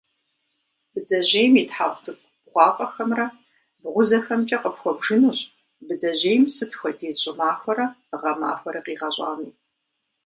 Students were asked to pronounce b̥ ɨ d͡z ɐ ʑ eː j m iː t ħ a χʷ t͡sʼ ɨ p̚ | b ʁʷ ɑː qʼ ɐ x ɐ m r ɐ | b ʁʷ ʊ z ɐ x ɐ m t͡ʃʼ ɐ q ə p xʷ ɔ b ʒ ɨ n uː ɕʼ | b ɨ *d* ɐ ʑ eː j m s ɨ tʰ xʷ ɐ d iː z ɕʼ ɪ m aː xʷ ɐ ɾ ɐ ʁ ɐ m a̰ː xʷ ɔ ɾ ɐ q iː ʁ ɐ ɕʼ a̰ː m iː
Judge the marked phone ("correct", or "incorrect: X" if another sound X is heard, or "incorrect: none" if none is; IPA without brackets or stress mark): incorrect: d͡z